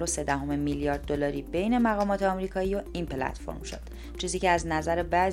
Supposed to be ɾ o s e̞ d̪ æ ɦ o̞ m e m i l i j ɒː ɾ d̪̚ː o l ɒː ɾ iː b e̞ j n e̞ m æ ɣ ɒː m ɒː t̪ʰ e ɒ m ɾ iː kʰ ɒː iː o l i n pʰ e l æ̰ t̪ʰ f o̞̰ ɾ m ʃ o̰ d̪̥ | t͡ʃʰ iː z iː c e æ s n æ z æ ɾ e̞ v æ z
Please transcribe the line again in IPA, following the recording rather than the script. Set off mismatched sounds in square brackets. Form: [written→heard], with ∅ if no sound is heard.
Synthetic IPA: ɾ o s e̞ d̪ æ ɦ o̞ m e m i l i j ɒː ɾ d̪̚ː o l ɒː ɾ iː b e̞ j n e̞ m æ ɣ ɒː m ɒː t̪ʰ e ɒ m ɾ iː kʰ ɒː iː o [l→∅] i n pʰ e l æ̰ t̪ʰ f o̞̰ ɾ m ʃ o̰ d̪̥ | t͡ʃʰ iː z iː c e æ [s→z] n æ z æ ɾ e̞ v æ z